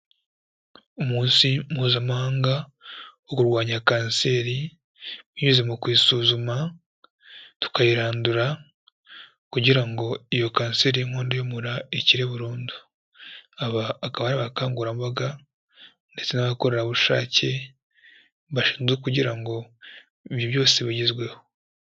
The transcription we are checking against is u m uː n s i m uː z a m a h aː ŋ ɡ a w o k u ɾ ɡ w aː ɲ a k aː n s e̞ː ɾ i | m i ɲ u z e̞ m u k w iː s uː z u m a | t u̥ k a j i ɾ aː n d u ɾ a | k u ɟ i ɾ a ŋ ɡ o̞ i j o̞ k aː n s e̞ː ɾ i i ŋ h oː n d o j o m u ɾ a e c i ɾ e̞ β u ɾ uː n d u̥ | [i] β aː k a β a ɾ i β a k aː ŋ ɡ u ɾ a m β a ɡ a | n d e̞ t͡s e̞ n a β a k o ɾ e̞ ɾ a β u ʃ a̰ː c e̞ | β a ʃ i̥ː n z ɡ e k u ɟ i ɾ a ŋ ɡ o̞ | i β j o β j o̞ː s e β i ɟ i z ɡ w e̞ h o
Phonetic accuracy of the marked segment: incorrect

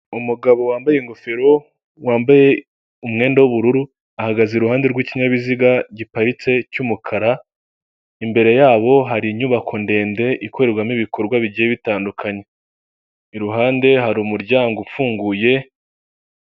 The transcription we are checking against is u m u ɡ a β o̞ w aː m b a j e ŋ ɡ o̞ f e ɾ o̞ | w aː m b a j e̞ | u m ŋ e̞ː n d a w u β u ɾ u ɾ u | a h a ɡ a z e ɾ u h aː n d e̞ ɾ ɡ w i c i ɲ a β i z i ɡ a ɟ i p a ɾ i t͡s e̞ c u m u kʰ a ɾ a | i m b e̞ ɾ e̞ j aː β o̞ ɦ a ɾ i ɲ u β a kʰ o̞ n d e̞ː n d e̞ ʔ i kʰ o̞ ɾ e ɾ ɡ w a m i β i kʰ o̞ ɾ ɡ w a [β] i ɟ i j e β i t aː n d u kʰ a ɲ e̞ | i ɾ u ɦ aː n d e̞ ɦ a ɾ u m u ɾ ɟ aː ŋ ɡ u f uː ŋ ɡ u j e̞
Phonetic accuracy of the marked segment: correct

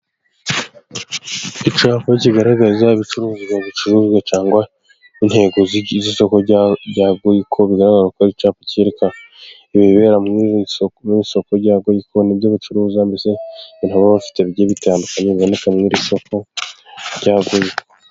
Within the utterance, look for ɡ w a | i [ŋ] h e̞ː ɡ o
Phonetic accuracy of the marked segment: incorrect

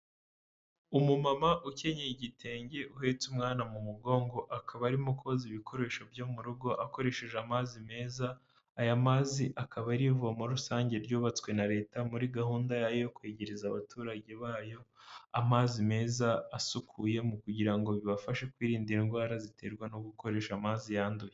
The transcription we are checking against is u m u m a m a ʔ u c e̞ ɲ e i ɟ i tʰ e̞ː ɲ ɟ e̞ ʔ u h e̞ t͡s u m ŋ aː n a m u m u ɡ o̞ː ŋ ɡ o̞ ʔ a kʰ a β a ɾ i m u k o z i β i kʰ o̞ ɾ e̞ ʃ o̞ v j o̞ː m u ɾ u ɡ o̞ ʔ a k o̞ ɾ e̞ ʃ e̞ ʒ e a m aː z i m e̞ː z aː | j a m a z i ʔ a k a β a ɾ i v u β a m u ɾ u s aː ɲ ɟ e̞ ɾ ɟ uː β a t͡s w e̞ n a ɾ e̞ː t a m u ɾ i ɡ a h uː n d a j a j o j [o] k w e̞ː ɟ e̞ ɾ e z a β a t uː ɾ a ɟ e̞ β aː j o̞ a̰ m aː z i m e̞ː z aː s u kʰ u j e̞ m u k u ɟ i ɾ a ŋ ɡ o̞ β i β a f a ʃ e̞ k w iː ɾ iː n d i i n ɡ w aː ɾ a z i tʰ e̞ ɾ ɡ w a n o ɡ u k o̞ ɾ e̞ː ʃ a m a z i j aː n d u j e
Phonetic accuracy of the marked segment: correct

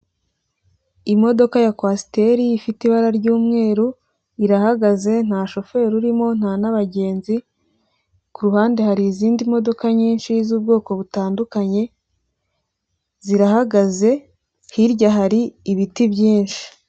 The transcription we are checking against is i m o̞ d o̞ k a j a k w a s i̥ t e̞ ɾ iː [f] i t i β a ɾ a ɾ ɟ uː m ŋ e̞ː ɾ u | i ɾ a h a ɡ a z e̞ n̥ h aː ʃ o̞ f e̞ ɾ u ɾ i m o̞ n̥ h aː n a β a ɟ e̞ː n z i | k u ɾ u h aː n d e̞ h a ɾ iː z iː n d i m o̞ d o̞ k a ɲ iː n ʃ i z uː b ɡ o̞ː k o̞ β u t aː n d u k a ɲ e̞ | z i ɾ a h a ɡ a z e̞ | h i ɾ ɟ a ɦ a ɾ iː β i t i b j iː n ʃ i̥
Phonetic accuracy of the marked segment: correct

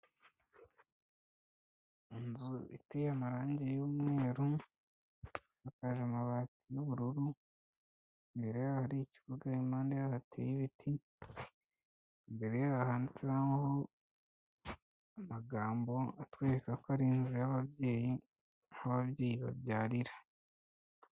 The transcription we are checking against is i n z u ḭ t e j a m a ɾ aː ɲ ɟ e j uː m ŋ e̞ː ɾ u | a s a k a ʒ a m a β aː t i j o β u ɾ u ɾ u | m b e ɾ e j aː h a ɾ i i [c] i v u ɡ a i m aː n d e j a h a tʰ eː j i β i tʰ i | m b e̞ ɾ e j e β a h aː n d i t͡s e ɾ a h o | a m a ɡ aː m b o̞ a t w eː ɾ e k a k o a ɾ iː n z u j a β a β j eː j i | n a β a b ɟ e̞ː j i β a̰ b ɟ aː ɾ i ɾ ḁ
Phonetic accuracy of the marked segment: correct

